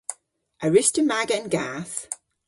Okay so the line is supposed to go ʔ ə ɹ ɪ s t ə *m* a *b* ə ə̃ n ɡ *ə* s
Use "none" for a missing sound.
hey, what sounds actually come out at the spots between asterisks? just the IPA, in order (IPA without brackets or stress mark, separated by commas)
m, ɡ, a